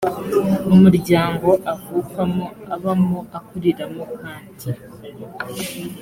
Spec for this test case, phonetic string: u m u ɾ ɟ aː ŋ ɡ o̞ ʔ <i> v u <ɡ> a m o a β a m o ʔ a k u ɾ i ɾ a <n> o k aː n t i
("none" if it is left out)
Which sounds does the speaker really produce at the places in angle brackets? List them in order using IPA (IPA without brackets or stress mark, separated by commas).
a, k, m